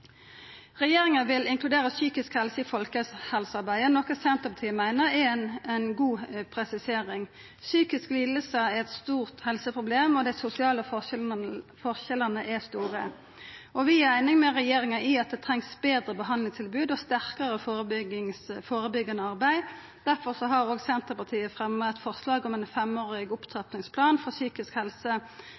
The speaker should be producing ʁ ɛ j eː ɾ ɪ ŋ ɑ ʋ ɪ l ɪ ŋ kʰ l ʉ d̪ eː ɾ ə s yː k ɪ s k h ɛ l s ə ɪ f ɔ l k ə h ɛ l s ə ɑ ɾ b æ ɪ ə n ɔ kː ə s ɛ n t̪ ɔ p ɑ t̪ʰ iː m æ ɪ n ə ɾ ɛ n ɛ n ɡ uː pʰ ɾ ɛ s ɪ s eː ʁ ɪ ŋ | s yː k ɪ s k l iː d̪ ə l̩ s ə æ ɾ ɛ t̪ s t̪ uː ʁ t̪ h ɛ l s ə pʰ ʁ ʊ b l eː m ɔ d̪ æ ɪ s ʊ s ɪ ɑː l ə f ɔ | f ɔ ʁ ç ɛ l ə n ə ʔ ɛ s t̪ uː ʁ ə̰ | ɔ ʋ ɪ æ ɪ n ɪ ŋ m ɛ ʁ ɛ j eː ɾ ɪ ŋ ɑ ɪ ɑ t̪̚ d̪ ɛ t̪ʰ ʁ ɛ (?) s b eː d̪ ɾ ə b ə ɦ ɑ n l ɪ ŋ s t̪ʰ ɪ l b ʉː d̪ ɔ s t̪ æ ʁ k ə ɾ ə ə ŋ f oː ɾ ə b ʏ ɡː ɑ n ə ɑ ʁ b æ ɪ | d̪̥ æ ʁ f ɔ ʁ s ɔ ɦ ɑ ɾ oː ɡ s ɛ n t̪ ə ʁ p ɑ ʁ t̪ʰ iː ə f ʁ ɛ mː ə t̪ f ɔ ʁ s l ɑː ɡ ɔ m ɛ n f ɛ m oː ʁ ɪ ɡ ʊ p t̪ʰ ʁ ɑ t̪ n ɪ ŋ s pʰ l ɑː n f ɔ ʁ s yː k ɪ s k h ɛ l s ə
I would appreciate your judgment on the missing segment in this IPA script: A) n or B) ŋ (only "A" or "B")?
B